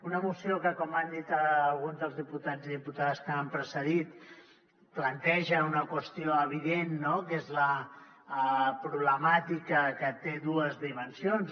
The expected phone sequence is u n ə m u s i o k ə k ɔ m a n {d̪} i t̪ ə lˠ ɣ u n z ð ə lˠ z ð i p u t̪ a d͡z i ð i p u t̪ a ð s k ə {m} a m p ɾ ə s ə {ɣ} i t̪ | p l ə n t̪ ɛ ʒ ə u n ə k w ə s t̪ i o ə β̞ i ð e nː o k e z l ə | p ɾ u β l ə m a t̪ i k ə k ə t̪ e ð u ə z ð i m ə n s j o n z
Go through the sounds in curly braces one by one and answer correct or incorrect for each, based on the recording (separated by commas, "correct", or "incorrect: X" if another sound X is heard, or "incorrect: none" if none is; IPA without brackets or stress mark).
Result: correct, incorrect: none, incorrect: ð